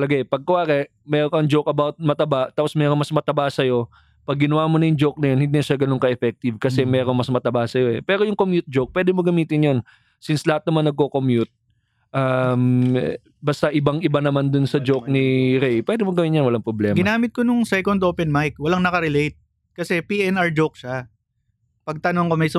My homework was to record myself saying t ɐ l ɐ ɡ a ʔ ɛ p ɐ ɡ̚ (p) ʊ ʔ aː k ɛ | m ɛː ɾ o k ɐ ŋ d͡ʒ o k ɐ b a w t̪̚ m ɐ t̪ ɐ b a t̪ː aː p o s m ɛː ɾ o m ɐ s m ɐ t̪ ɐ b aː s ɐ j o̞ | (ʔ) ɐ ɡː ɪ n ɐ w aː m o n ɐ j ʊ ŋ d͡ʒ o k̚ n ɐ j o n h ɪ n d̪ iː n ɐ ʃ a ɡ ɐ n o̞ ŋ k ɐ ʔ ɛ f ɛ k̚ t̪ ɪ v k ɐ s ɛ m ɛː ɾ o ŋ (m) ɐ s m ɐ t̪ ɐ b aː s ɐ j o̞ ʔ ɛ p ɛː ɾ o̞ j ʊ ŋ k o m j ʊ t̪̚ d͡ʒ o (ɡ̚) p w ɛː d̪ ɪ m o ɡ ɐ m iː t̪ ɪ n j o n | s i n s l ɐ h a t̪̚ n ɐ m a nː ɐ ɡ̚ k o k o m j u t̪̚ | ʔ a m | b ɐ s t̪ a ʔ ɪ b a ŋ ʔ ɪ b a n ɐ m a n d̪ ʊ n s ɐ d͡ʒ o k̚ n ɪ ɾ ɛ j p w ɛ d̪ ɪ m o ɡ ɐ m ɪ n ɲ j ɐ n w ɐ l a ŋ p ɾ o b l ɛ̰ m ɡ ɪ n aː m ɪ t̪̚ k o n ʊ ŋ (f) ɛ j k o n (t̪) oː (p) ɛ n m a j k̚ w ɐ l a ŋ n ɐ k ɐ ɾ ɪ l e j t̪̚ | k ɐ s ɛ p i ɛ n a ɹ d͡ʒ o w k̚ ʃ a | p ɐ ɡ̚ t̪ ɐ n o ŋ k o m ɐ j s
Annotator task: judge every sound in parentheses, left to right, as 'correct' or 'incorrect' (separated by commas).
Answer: incorrect, incorrect, correct, incorrect, incorrect, incorrect, correct